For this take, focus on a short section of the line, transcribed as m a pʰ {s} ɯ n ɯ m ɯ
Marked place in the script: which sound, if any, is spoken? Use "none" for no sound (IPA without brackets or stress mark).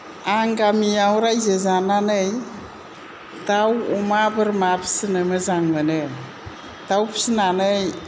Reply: s